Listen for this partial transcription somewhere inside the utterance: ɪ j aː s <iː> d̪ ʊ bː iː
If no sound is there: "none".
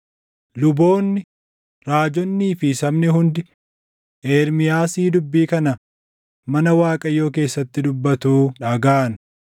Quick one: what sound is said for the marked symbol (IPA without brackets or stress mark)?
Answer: iː